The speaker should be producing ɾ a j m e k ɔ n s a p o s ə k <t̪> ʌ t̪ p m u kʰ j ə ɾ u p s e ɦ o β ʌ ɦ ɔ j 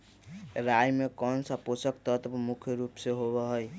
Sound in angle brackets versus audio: correct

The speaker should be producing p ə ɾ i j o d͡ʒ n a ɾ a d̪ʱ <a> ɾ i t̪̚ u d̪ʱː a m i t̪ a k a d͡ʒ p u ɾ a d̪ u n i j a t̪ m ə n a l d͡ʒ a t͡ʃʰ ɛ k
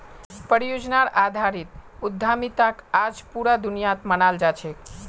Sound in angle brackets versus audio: correct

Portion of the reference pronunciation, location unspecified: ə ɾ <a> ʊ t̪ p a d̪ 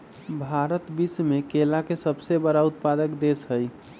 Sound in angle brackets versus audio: correct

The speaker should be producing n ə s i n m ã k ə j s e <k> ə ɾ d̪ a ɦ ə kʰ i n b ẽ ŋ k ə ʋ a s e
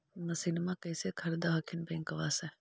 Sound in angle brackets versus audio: incorrect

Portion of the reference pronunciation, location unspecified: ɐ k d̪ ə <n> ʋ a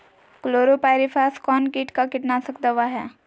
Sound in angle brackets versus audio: incorrect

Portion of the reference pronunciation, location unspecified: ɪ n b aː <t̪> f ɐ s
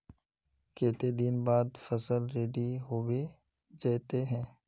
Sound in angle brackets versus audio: incorrect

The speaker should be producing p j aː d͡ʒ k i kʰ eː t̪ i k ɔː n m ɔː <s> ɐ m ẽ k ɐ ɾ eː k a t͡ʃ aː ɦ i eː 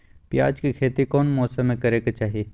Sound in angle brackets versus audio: correct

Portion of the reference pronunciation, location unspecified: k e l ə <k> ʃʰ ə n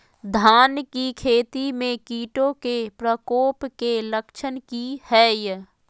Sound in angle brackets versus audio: correct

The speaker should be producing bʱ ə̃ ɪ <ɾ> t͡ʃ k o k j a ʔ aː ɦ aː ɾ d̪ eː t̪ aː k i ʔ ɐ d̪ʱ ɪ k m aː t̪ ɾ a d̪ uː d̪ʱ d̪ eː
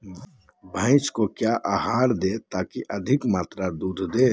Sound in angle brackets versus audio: incorrect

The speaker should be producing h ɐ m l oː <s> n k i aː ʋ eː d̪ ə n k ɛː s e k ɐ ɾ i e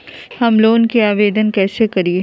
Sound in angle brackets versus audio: incorrect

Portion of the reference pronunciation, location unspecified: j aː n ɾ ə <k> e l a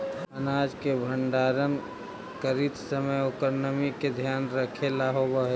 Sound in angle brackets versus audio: incorrect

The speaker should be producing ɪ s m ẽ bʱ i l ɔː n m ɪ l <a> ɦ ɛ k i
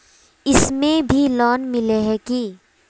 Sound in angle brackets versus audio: incorrect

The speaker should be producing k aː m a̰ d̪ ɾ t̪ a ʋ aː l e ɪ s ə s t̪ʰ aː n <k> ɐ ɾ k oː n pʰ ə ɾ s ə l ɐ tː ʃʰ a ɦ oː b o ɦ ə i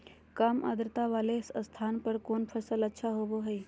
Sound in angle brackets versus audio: incorrect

